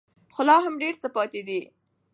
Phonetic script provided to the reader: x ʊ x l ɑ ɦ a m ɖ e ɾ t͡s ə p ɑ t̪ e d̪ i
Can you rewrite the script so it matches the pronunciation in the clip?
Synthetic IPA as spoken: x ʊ l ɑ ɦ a m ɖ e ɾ t͡s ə p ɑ t̪ e d̪ i